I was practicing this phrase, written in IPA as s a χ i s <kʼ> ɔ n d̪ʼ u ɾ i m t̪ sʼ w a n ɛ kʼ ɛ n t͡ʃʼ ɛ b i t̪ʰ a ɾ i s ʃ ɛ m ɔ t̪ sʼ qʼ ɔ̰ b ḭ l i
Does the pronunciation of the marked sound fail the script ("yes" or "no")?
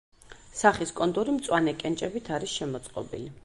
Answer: no